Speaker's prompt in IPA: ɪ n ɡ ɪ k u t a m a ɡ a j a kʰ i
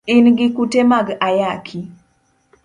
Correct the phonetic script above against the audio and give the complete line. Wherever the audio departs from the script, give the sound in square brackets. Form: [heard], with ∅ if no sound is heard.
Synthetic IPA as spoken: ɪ n ɡ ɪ k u t [e] m a ɡ a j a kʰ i